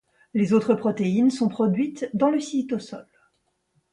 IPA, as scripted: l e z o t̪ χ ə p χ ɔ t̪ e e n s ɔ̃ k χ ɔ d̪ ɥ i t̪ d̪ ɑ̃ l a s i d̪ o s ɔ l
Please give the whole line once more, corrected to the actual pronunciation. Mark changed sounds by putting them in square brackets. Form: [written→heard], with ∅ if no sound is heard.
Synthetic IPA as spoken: l e z o t̪ χ ə p χ ɔ t̪ e [e→i] n s ɔ̃ [k→p] χ ɔ d̪ ɥ i t̪ d̪ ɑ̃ l [a→ə] s i [d̪→t̪] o s ɔ l